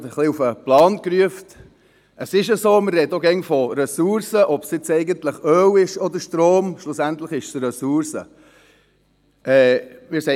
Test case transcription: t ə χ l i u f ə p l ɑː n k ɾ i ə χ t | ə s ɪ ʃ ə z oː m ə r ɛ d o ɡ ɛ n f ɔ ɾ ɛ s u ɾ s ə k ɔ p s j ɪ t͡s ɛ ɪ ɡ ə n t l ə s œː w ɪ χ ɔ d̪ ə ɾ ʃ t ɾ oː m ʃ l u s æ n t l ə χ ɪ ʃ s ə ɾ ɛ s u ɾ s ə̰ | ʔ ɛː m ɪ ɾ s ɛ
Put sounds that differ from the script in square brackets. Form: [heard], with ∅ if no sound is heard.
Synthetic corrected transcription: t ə χ l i u f ə p l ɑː n k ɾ [y] ə [f] t | ə s ɪ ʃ ə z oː m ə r ɛ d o ɡ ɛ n f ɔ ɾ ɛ s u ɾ s ə [ʔ] ɔ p s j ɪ t͡s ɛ ɪ ɡ ə n t l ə [χ] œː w ɪ [ʃ] ɔ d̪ ə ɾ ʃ t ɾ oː m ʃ l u s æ n t l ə χ ɪ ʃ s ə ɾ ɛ s u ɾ s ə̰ | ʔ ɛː m ɪ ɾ s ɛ

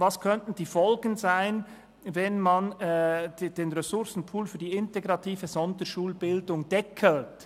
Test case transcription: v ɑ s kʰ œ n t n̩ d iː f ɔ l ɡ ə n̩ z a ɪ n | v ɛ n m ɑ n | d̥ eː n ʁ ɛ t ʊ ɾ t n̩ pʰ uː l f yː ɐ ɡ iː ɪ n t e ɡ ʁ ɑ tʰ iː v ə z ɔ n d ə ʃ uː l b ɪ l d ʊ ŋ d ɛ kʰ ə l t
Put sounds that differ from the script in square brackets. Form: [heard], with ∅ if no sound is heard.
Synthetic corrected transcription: v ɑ s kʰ œ n t n̩ d iː f ɔ l ɡ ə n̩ z a ɪ n | v ɛ n m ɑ n | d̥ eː n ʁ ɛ [s] ʊ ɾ [s] n̩ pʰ uː l f yː ɐ [d] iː ɪ n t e ɡ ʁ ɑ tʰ iː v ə z ɔ n d ə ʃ uː l b ɪ l d ʊ ŋ d ɛ kʰ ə l t

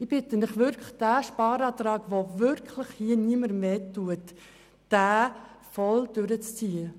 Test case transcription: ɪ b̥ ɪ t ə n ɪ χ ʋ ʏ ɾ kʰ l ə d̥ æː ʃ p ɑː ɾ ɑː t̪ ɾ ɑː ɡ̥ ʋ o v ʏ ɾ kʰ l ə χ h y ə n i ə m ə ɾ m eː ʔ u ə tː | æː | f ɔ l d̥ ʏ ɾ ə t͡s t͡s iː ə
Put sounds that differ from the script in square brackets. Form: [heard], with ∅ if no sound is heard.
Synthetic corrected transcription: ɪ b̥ ɪ t ə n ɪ χ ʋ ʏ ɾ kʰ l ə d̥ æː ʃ p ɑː ɾ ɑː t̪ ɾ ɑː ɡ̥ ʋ o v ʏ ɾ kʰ l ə χ h [i] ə n i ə m ə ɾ m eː [t] u ə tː | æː | f ɔ l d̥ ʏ ɾ ə t͡s t͡s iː ə

